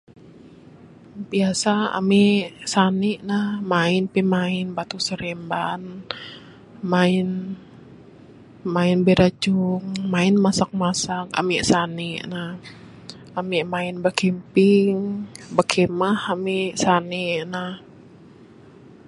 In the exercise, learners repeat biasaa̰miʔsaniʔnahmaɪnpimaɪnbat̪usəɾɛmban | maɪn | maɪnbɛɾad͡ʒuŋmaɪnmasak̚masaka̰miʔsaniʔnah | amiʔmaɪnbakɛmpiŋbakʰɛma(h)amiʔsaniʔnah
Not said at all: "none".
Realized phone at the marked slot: h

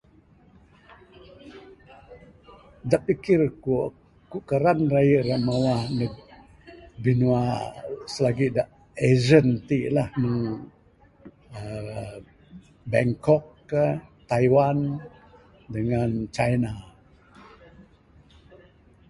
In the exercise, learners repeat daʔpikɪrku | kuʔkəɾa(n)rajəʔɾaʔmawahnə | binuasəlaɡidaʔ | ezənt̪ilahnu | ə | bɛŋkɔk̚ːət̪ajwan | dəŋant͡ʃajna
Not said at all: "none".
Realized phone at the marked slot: n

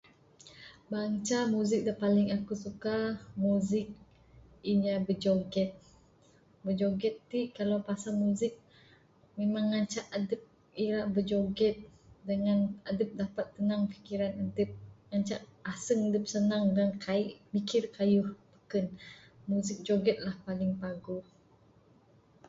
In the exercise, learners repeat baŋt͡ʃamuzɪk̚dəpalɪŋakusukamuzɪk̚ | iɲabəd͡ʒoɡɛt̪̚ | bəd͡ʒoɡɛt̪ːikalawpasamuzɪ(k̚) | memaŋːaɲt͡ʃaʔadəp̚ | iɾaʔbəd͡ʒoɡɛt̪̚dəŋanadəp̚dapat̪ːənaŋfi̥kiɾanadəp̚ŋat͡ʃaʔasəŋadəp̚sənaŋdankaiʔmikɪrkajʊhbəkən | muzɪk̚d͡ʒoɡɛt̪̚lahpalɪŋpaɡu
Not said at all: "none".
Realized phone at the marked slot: k̚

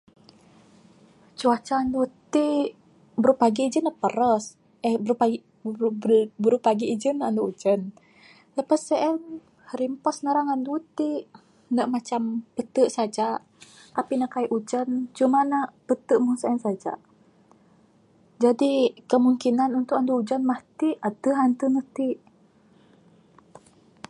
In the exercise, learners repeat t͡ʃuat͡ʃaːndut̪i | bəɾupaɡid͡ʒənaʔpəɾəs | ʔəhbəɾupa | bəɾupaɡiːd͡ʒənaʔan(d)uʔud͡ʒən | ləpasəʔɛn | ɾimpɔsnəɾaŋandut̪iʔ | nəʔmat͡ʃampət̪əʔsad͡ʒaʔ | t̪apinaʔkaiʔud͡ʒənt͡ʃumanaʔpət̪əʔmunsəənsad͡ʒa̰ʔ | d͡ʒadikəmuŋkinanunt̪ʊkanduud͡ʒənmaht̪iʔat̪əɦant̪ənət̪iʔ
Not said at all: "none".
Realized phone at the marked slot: d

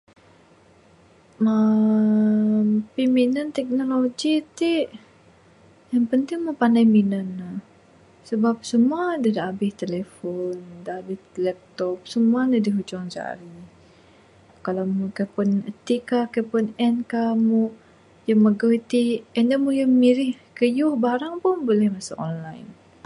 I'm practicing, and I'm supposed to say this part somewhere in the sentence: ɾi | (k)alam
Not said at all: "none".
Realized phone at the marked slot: k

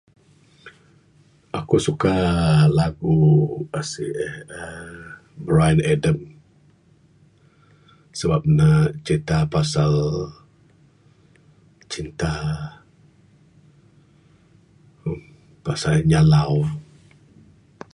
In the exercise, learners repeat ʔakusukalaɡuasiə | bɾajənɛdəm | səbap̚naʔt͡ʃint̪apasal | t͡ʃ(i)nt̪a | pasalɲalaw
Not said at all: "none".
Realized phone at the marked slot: i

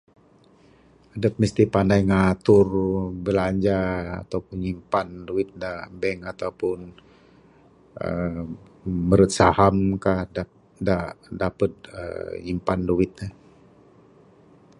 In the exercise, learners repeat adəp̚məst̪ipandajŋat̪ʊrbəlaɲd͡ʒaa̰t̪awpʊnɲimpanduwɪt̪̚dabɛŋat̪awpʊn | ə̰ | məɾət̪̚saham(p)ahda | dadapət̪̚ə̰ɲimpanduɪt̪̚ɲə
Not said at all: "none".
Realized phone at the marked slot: k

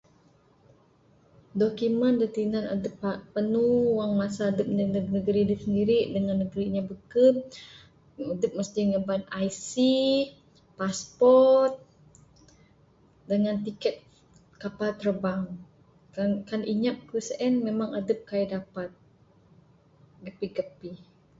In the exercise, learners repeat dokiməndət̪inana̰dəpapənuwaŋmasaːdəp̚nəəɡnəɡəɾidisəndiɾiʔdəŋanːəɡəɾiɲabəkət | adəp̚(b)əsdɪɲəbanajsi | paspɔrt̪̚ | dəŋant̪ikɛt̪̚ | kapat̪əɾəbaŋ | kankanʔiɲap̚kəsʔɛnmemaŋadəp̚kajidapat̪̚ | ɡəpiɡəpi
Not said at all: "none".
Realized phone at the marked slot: m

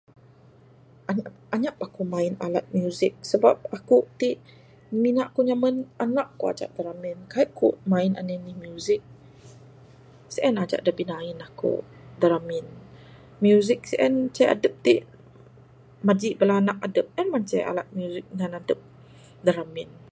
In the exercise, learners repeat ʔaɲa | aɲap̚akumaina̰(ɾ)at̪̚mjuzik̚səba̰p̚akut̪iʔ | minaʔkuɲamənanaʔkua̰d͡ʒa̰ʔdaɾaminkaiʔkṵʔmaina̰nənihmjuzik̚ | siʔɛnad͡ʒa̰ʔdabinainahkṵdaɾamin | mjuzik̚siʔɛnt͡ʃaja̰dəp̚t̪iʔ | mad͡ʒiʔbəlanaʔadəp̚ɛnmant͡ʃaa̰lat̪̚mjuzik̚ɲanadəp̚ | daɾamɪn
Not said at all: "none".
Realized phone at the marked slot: l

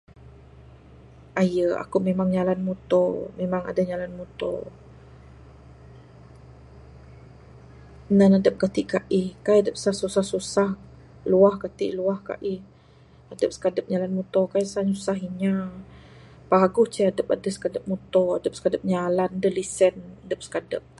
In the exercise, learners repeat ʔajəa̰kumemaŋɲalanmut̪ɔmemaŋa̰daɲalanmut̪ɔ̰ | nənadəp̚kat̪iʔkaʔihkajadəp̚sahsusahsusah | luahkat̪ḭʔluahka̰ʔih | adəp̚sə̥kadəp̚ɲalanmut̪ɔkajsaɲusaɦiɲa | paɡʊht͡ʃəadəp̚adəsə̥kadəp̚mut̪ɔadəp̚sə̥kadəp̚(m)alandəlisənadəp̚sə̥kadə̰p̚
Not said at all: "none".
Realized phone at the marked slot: ɲ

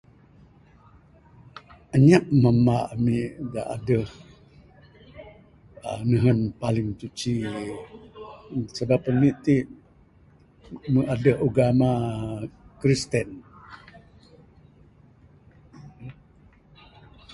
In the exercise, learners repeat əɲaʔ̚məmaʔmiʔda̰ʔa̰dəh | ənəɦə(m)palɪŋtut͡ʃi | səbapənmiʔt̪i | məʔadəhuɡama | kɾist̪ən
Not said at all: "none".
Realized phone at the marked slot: n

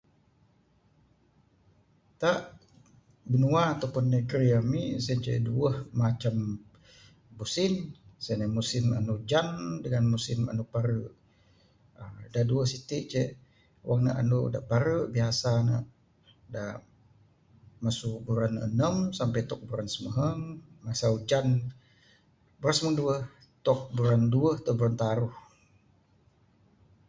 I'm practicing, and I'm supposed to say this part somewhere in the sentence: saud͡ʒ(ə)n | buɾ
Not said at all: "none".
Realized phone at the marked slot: a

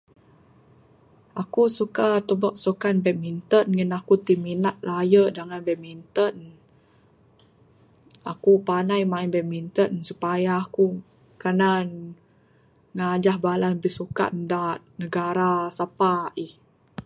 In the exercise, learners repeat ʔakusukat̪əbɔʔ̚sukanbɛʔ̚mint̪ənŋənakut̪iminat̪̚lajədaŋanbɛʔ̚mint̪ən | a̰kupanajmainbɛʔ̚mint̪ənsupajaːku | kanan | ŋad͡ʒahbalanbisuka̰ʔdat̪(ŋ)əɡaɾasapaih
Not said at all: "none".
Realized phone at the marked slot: n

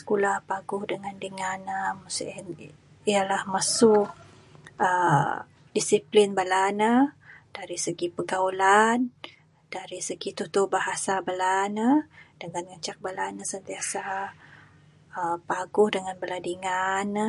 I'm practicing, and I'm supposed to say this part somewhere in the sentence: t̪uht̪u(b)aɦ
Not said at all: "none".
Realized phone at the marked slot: b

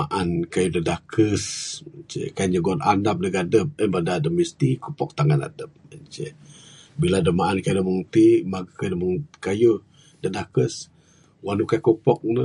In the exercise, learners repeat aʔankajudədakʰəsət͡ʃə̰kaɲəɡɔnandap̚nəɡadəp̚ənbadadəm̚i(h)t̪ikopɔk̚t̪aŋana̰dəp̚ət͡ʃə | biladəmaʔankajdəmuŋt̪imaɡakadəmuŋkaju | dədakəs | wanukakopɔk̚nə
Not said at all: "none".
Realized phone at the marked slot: s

